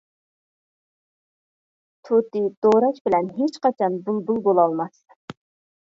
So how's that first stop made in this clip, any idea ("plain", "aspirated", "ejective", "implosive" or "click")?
aspirated